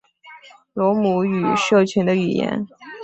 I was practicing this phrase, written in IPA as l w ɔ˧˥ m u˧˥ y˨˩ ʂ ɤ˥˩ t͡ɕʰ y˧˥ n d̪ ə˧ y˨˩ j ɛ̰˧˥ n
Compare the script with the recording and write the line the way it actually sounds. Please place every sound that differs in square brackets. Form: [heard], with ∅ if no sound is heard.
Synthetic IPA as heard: l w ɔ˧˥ m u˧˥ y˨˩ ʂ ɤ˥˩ t͡ɕʰ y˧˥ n d̪ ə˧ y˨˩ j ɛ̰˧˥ n